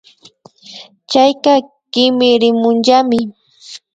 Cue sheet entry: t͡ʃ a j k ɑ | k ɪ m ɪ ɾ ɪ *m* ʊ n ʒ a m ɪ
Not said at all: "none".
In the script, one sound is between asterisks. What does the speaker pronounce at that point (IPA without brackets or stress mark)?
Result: m